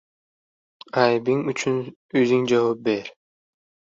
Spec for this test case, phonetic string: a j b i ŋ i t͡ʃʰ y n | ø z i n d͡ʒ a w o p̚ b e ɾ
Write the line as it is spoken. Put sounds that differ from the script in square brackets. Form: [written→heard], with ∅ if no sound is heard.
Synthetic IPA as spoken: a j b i ŋ [i→y] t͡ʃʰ y n | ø z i [n→ŋ] d͡ʒ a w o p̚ b e ɾ